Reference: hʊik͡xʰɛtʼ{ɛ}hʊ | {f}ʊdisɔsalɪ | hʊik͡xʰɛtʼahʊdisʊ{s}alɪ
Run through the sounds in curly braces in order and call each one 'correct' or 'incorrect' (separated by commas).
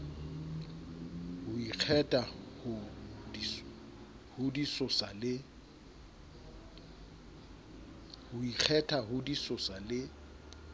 incorrect, incorrect, correct